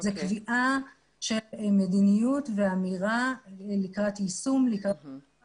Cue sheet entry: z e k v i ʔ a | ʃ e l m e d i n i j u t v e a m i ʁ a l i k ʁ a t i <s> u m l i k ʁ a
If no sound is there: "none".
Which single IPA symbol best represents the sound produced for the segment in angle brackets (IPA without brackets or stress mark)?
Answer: s